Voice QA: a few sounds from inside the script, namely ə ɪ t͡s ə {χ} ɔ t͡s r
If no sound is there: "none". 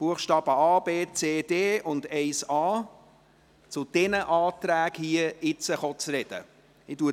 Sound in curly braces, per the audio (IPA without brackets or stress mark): χ